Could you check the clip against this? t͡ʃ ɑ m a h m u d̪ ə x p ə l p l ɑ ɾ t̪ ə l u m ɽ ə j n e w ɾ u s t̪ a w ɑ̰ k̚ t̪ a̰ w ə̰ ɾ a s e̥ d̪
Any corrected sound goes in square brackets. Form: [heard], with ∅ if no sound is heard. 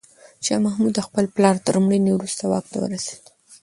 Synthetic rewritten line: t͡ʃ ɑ m a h m u d̪ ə x p ə l p l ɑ ɾ t̪ ə [ɾ] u m ɽ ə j n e w ɾ u s t̪ a w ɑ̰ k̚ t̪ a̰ w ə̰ ɾ a s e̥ d̪